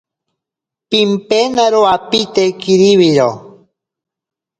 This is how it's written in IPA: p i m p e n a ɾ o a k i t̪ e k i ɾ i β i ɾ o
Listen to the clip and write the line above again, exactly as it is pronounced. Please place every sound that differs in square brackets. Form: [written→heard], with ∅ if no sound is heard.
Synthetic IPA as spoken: p i m p e n a ɾ o a [k→p] i t̪ e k i ɾ i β i ɾ o